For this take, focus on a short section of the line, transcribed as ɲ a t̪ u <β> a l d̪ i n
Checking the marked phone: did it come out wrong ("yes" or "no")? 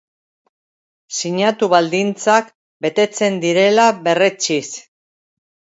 no